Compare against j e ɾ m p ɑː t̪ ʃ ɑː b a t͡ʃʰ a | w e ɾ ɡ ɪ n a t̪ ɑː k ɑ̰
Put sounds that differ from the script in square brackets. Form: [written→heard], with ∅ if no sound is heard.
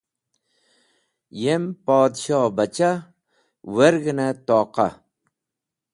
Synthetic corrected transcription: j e [ɾ→∅] m p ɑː [t̪→d̪] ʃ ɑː b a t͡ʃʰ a | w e ɾ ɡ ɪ n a t̪ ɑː [k→q] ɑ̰